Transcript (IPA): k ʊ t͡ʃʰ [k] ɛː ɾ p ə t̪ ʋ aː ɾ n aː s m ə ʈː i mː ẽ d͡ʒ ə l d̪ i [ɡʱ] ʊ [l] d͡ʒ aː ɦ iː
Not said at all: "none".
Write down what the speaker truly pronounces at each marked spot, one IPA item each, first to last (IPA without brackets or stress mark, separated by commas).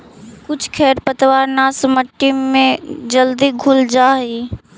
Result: kʰ, ɡʱ, l